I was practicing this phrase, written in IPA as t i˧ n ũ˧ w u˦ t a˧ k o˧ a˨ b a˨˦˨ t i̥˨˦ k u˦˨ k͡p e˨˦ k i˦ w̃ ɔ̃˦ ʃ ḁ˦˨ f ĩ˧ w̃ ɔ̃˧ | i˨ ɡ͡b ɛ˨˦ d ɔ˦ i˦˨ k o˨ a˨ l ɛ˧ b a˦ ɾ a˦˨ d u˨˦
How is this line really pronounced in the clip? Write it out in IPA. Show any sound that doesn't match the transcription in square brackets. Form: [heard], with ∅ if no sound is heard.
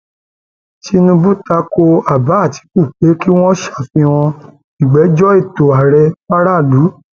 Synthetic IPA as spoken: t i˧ n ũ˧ [b] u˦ t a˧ k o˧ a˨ b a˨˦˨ t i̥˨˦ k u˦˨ k͡p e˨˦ k i˦ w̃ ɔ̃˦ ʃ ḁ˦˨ f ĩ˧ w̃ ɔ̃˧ | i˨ ɡ͡b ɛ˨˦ [d͡ʒ] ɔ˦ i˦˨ [t] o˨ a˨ [ɾ] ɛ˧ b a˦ ɾ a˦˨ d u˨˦

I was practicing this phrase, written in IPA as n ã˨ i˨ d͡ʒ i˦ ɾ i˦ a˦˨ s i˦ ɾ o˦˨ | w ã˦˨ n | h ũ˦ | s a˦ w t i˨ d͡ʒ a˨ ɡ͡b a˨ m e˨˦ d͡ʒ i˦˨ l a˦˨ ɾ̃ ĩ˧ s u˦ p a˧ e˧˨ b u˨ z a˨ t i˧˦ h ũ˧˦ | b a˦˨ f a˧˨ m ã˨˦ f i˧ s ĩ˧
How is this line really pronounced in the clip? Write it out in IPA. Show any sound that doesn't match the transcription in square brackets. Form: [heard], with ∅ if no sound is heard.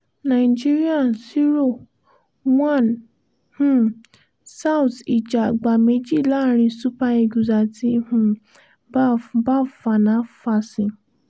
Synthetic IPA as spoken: n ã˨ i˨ d͡ʒ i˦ ɾ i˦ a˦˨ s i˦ ɾ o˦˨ | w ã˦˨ n | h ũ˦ | s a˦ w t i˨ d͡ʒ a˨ ɡ͡b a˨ m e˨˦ d͡ʒ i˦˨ l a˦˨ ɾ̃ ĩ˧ s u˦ p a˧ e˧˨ [ɡ] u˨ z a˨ t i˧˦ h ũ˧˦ | b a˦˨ f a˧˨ [n] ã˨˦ f [a˧] s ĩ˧

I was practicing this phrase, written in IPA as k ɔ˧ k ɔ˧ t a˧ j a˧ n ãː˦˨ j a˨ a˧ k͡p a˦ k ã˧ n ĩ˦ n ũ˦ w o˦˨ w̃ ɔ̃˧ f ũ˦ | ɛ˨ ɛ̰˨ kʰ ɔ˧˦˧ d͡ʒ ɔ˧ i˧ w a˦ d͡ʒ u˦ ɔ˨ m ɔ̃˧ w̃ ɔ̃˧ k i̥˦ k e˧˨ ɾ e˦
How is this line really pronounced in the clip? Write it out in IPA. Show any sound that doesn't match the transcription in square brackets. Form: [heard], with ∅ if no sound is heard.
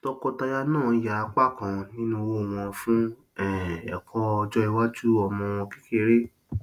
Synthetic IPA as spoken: [t] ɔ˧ k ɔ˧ t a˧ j a˧ n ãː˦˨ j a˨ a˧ k͡p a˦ k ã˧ n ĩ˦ n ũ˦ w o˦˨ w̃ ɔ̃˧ f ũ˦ | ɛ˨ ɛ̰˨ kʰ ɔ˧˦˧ d͡ʒ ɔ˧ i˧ w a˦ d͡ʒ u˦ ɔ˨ m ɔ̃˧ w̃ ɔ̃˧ k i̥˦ k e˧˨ ɾ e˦

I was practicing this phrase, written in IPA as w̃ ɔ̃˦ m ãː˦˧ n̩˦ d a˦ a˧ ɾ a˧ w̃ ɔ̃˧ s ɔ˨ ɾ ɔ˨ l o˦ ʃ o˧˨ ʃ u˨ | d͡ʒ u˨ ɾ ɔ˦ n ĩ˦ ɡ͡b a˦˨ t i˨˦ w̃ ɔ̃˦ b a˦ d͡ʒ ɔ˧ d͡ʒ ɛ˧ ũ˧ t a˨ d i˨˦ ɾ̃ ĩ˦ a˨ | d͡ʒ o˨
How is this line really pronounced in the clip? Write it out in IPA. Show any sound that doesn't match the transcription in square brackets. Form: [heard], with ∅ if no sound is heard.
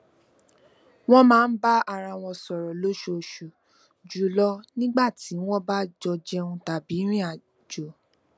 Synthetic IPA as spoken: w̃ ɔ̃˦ m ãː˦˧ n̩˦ [b] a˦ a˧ ɾ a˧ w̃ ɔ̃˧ s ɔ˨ ɾ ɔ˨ l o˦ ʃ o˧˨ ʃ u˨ | d͡ʒ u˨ [l] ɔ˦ n ĩ˦ ɡ͡b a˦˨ t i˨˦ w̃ ɔ̃˦ b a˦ d͡ʒ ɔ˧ d͡ʒ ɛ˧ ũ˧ t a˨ [b] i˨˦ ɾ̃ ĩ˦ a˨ | d͡ʒ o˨

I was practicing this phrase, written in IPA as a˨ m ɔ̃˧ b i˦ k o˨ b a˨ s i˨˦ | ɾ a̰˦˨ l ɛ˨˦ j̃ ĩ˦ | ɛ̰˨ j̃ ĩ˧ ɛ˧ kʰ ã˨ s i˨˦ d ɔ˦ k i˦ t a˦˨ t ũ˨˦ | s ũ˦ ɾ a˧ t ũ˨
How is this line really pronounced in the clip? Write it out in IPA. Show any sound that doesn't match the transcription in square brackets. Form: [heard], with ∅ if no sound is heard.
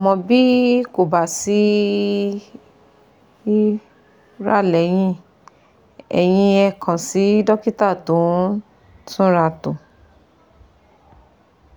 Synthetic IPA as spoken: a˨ m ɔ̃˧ b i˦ k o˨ b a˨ s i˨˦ | ɾ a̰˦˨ l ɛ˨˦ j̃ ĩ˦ | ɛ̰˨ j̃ ĩ˧ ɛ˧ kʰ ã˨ s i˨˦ d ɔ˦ k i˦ t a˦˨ t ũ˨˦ | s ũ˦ ɾ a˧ t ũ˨

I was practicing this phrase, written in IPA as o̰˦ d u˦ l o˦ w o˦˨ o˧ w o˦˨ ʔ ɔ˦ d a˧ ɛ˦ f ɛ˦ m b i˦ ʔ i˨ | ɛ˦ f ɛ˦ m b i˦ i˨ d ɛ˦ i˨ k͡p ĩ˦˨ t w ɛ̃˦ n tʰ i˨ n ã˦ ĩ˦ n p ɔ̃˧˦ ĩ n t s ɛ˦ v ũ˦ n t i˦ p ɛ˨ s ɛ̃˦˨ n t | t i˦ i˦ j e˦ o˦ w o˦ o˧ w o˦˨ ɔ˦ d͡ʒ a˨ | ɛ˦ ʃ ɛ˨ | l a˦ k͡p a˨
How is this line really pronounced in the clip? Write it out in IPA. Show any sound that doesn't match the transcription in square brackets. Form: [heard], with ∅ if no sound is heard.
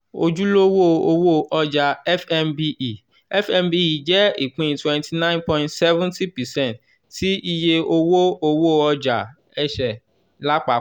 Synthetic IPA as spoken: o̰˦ [d͡ʒ] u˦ l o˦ w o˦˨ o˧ w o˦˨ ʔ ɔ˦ [d͡ʒ] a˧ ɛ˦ f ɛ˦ m b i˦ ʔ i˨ | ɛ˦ f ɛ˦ m b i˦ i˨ [d͡ʒ] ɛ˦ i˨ k͡p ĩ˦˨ t w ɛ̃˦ n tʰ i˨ n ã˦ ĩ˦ n p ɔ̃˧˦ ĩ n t s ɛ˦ v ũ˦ n t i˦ p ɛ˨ s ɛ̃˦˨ n t | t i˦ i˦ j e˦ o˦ w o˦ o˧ w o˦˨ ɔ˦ d͡ʒ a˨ | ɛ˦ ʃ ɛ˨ | l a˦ k͡p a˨

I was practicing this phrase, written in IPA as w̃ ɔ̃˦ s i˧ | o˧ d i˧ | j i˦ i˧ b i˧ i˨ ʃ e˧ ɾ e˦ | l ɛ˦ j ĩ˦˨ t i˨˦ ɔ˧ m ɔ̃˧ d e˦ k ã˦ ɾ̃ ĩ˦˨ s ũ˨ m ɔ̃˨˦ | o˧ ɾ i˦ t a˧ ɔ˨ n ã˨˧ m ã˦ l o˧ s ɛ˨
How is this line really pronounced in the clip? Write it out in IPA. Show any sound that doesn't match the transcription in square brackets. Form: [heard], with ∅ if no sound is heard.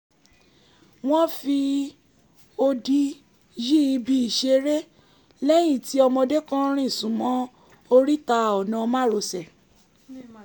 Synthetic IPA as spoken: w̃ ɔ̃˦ [f] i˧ | o˧ d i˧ | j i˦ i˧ b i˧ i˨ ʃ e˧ ɾ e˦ | l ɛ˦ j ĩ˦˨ t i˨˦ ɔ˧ m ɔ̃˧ d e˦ k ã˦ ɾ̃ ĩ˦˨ s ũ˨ m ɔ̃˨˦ | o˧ ɾ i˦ t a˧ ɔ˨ n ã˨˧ m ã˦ [ɾ] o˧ s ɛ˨

